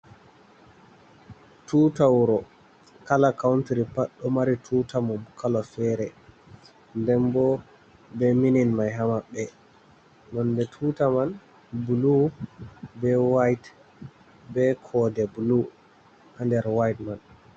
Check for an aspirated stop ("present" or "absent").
present